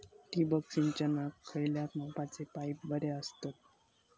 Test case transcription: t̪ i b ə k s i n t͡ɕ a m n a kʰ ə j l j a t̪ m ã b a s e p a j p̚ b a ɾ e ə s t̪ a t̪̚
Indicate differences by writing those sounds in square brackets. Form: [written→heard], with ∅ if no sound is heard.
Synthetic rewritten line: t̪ i b ə k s i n t͡ɕ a [m→∅] n a kʰ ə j l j a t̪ m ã [b→p] a [s→t͡s] e p a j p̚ b [a→ə] ɾ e ə s t̪ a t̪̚